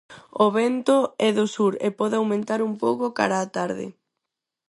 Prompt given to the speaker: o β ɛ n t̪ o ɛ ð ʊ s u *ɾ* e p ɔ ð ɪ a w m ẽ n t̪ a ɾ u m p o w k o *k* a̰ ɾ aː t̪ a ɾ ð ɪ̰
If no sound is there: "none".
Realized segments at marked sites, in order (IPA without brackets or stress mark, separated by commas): ɾ, k